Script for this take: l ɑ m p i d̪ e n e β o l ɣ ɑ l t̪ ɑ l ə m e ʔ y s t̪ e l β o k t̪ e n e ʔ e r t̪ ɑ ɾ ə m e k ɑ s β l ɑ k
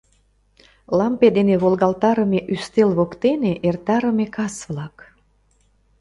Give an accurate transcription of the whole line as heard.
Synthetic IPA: l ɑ m p e d̪ e n e β o l ɣ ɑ l t̪ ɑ ɾ ə m e ʔ y s t̪ e l β o k t̪ e n e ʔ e r t̪ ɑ ɾ ə m e k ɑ s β l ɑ k

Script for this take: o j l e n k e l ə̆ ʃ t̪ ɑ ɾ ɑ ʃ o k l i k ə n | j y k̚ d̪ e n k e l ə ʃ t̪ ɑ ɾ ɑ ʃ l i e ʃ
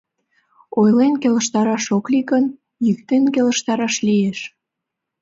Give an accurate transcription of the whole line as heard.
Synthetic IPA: o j l e n k e l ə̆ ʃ t̪ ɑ ɾ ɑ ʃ o k l i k ə n | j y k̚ t̪ e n k e l ə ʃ t̪ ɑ ɾ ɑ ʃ l i e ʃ

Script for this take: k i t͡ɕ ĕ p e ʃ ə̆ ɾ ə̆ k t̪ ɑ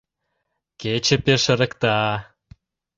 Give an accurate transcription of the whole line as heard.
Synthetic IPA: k e t͡ɕ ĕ p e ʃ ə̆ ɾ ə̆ k t̪ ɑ

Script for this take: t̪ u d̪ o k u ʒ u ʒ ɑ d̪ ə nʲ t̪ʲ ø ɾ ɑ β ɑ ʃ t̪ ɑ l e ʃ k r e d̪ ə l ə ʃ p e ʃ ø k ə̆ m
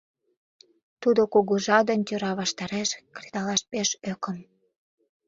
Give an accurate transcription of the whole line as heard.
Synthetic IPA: t̪ u d̪ o k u ɣ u ʒ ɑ d̪ ə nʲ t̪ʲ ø ɾ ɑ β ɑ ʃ t̪ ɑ ɾ e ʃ k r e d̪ ɑ l ɑ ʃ p e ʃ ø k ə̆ m

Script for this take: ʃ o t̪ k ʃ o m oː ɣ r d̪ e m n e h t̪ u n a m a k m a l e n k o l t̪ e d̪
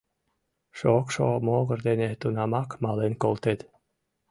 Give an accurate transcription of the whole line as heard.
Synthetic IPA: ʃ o k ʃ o m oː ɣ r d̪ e n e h t̪ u n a m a k m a l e n k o l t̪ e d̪

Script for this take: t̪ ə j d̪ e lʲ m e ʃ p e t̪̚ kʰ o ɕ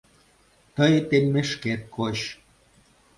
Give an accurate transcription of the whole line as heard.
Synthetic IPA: t̪ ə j t̪ e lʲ m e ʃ k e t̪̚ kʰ o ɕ

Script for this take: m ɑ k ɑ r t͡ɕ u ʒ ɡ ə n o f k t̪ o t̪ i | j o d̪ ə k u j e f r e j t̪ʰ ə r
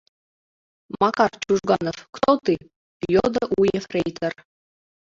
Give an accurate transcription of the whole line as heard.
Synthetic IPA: m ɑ k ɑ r t͡ɕ u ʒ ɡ ɑ n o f k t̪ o t̪ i | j o d̪ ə ʔ u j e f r e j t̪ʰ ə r

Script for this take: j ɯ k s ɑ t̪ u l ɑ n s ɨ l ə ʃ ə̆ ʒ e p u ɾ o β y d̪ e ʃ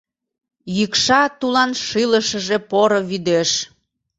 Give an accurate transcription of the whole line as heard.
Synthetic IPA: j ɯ k ʃ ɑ t̪ u l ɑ n ʃ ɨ l ə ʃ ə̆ ʒ e p o ɾ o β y d̪ e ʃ

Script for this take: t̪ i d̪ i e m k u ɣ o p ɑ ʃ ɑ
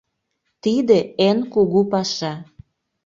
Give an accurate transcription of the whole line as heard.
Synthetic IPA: t̪ i d̪ e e n k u ɣ u p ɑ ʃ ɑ

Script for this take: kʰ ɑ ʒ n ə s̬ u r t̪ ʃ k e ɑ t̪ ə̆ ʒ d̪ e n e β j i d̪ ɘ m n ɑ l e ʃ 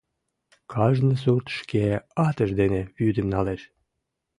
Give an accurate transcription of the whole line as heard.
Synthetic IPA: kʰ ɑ ʒ n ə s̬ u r t̪ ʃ k e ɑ t̪ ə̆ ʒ d̪ e n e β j y d̪ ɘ m n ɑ l e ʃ

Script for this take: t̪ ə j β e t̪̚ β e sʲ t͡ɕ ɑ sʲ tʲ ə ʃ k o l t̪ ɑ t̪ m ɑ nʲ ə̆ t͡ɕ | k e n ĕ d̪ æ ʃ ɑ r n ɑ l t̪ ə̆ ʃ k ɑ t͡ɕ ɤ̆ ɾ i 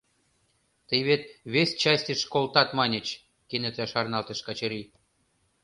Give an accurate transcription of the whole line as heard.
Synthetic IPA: t̪ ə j β e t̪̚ β e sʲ t͡ɕ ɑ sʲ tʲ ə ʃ k o l t̪ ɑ t̪ m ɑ nʲ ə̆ t͡ɕ | k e n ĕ t̪ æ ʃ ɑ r n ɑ l t̪ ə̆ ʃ k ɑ t͡ɕ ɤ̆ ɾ i

